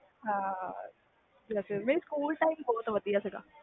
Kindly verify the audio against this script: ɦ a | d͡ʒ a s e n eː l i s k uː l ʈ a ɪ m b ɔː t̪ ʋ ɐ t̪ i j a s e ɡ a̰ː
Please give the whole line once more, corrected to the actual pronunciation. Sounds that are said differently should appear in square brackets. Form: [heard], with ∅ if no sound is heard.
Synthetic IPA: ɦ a | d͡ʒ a s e [m] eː [ɾ] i s k uː l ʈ a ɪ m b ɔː t̪ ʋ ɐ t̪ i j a s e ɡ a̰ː